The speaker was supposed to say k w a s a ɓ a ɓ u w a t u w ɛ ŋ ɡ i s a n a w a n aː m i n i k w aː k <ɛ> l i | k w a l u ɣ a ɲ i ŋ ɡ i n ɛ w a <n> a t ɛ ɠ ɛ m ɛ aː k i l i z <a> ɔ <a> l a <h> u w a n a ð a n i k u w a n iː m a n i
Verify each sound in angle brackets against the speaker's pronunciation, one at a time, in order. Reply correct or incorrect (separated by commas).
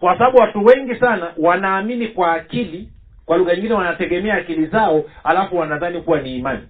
incorrect, correct, correct, correct, incorrect